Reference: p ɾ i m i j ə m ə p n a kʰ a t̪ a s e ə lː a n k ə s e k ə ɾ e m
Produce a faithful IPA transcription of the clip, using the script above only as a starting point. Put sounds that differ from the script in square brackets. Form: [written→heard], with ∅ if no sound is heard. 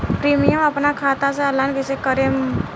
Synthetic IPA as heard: p ɾ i m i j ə m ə p n a kʰ a t̪ a s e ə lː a n k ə s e k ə ɾ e m